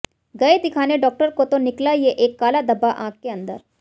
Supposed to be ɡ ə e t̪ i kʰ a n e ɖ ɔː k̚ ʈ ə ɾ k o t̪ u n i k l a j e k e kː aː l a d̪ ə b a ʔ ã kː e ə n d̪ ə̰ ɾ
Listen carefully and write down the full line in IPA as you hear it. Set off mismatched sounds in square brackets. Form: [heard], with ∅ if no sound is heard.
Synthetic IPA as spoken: ɡ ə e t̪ i kʰ a n e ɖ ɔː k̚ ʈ ə ɾ k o t̪ [o] n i k l a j e [ʔ] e kː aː l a d̪ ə b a ʔ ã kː e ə n d̪ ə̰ ɾ